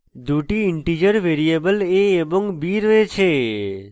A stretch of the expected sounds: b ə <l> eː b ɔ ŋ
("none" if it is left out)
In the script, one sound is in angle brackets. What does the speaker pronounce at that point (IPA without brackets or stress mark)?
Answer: l